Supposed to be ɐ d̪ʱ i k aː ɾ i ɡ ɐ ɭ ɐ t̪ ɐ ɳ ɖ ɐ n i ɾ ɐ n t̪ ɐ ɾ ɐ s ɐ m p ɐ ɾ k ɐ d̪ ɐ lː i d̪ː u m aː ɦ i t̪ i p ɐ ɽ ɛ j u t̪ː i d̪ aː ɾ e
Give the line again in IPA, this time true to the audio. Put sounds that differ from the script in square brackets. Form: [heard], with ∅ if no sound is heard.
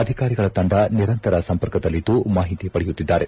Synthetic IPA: ɐ d̪ʱ i k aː ɾ i ɡ ɐ ɭ ɐ t̪ ɐ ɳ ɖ ɐ n i ɾ ɐ n t̪ ɐ ɾ ɐ s ɐ m p ɐ ɾ k ɐ d̪ ɐ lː i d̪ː u m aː ɦ i t̪ i p ɐ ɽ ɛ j u t̪ː i [d̪ː] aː ɾ e

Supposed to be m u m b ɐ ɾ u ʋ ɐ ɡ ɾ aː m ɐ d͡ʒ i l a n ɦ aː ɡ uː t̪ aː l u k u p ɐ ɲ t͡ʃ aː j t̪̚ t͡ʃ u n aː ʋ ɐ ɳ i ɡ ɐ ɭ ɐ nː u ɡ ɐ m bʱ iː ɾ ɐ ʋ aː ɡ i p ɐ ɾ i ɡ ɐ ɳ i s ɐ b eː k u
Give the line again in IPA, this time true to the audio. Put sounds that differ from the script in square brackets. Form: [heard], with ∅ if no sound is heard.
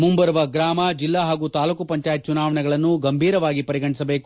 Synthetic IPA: m u m b ɐ ɾ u ʋ ɐ ɡ ɾ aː m ɐ d͡ʒ i [lː] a [∅] ɦ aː ɡ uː t̪ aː l u k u p ɐ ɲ t͡ʃ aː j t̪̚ t͡ʃ u n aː ʋ ɐ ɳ [ɛ] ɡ ɐ ɭ ɐ nː u ɡ ɐ m bʱ iː ɾ ɐ ʋ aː ɡ i p ɐ ɾ i ɡ ɐ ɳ i s ɐ b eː k u

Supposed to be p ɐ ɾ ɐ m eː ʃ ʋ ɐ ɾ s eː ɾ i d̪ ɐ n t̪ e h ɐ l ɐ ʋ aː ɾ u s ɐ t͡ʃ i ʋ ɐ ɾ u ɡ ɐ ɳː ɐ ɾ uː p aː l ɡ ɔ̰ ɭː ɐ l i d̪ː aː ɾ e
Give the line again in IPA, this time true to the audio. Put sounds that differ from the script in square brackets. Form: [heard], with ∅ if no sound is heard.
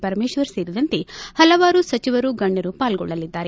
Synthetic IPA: p ɐ ɾ ɐ m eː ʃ ʋ ɐ ɾ s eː ɾ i d̪ ɐ n t̪ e h ɐ l ɐ ʋ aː ɾ u s ɐ t͡ʃ i ʋ ɐ ɾ u ɡ ɐ ɳː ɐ ɾ [u] p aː l ɡ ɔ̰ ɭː ɐ l i d̪ː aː ɾ e

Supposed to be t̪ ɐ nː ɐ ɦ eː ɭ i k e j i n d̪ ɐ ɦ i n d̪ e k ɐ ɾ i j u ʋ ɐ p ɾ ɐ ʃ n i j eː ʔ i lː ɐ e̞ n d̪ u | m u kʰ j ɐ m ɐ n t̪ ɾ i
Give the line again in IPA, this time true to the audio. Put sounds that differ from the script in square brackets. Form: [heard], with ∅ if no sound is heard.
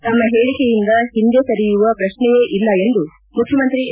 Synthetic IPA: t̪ ɐ [mː] ɐ ɦ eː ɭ i k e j i n d̪ ɐ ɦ i n d̪ e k ɐ ɾ i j u ʋ ɐ p ɾ ɐ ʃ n [ɛ] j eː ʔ i lː ɐ e̞ n d̪ u | m u kʰ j ɐ m ɐ n t̪ ɾ i

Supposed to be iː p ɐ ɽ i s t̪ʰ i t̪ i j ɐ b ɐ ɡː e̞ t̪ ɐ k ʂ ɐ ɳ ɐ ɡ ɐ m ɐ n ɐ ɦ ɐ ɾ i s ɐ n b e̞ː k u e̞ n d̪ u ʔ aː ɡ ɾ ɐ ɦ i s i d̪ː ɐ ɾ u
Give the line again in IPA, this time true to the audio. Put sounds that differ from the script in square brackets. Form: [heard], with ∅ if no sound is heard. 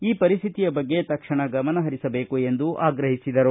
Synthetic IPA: iː p ɐ [ɾ] i s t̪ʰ i t̪ i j ɐ b ɐ ɡː e̞ t̪ ɐ k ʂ ɐ ɳ ɐ ɡ ɐ m ɐ n ɐ ɦ ɐ ɾ i s ɐ [∅] b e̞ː k u e̞ n d̪ u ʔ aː ɡ ɾ ɐ ɦ i s i [d̪] ɐ ɾ u

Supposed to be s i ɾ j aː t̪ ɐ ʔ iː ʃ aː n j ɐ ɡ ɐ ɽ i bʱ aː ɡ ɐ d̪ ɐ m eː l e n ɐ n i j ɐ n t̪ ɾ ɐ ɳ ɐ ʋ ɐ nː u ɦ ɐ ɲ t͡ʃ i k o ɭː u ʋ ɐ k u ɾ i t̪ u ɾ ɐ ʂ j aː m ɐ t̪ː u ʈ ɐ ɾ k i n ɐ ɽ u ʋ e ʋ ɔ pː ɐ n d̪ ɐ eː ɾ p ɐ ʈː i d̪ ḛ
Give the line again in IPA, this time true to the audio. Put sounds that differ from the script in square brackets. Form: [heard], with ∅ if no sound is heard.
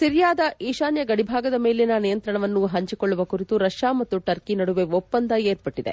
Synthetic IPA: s i ɾ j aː [d̪] ɐ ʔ iː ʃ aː n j ɐ ɡ ɐ ɽ i bʱ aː ɡ ɐ d̪ ɐ m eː l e n ɐ n i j ɐ n t̪ ɾ ɐ ɳ ɐ ʋ ɐ nː u ɦ ɐ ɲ t͡ʃ i k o ɭː u ʋ ɐ k u ɾ i t̪ u ɾ ɐ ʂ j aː m ɐ t̪ː u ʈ ɐ ɾ k i n ɐ ɽ u ʋ e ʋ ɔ pː ɐ n d̪ ɐ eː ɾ p ɐ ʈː i d̪ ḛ

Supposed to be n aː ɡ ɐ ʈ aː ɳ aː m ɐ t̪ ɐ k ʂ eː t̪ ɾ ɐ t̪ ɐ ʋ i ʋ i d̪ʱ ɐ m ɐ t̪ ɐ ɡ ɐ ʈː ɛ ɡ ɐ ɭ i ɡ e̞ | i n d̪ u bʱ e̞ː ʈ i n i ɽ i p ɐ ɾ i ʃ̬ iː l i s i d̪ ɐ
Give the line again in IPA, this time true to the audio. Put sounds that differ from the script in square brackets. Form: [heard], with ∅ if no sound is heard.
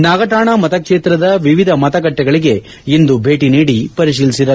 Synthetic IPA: n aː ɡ ɐ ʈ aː ɳ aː m ɐ t̪ ɐ k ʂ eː t̪ ɾ ɐ [d̪] ɐ ʋ i ʋ i d̪ʱ ɐ m ɐ t̪ ɐ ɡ ɐ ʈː ɛ ɡ ɐ ɭ i ɡ e̞ | i n d̪ u bʱ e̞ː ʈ i n [iː] ɽ i p ɐ ɾ i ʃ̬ iː l i s i d̪ ɐ

